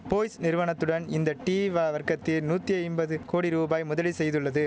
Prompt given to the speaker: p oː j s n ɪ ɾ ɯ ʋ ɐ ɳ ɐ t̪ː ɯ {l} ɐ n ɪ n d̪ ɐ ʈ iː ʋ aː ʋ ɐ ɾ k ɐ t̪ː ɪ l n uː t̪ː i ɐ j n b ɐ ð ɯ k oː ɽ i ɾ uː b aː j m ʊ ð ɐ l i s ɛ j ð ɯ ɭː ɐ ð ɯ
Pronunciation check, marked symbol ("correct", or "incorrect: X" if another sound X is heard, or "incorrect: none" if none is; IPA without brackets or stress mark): incorrect: ɽ